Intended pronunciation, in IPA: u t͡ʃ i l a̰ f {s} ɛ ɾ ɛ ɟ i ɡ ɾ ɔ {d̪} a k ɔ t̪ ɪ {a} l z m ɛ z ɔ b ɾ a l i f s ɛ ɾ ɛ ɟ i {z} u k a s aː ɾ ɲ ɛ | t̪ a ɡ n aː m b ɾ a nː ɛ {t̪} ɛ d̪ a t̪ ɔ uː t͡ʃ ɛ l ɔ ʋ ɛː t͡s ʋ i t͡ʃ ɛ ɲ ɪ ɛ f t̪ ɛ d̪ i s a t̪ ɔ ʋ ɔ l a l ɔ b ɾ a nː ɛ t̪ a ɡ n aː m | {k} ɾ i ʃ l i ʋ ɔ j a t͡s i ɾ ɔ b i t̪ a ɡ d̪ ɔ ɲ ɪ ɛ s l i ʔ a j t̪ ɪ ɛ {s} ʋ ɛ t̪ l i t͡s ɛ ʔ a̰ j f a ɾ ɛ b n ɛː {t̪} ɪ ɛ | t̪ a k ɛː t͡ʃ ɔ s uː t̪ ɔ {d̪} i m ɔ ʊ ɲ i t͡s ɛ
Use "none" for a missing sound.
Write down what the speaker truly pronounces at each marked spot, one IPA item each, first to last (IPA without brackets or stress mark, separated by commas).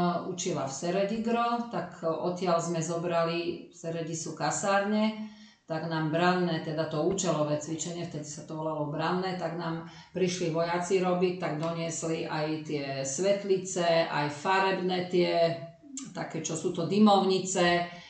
s, t̪, a, s, t̪, p, s, t̪, d̪